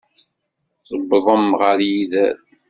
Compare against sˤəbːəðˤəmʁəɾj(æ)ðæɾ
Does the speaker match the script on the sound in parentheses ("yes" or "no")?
no